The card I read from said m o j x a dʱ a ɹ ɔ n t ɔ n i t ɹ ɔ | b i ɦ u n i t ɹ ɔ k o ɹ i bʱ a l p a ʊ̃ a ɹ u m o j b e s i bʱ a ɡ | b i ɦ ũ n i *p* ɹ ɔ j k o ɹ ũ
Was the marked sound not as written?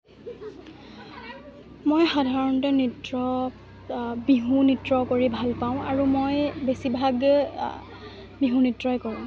yes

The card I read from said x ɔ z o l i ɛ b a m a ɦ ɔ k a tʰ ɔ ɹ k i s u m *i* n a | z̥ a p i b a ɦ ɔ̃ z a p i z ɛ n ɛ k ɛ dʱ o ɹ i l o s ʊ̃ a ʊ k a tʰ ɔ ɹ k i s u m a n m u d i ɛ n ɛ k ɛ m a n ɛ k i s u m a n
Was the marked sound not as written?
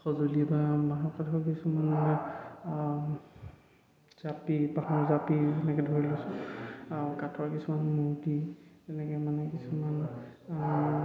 yes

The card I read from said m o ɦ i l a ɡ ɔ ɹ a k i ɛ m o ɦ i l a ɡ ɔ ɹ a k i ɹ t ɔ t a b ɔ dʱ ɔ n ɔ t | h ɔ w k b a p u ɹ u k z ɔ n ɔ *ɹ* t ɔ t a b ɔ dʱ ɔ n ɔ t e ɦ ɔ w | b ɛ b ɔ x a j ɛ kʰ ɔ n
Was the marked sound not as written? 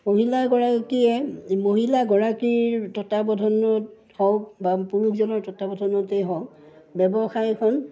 no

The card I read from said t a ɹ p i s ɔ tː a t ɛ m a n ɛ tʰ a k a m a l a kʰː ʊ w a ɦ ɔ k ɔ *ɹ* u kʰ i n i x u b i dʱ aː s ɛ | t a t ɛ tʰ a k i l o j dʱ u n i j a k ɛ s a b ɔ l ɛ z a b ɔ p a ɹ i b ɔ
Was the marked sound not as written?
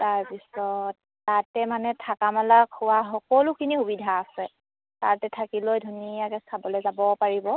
yes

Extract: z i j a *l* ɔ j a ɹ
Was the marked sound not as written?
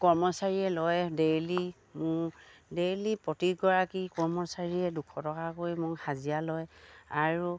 no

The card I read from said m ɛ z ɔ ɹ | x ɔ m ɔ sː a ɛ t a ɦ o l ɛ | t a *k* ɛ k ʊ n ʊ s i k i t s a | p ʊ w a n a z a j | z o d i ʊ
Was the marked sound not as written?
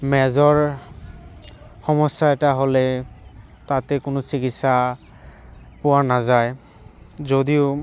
yes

